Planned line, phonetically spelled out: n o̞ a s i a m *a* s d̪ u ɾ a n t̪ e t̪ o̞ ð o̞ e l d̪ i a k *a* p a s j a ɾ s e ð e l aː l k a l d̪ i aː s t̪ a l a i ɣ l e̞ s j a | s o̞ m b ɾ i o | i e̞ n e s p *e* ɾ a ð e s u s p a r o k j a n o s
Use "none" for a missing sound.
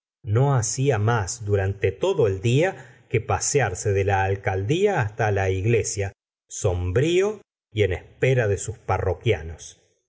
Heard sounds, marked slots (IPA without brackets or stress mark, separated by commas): a, e, e